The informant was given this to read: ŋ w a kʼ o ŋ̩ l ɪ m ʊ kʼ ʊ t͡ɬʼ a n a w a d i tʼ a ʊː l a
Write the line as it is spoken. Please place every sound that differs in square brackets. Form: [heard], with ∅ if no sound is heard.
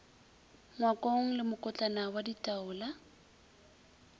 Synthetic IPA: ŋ w a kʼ o ŋ̩ l ɪ m ʊ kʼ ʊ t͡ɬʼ a n a w a d i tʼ a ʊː l a